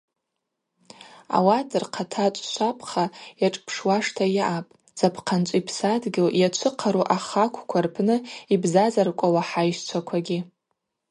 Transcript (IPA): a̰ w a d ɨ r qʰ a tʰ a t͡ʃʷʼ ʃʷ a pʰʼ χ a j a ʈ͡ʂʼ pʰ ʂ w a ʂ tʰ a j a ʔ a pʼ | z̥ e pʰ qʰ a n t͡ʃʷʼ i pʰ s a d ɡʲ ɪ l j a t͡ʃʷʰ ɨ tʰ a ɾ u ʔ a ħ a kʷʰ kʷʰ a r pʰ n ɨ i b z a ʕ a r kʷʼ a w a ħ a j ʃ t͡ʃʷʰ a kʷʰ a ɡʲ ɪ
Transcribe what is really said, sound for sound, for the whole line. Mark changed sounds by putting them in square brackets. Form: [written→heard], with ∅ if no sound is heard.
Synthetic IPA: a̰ w a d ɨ r qʰ a tʰ a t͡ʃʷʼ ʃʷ a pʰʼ χ a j a ʈ͡ʂʼ pʰ ʂ w a ʂ tʰ a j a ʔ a pʼ | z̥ [e→a] pʰ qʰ a n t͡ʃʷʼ i pʰ s a d ɡʲ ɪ l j a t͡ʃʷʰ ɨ [tʰ→qʰ] a ɾ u ʔ a [ħ→χ] a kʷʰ kʷʰ a r pʰ n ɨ i b z a [ʕ→z] a r kʷʼ a w a ħ a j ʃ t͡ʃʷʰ a kʷʰ a ɡʲ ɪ